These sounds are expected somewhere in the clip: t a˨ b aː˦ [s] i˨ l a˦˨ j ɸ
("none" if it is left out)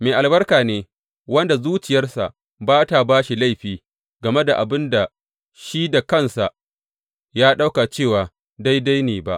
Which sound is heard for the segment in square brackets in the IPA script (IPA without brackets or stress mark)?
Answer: ʃ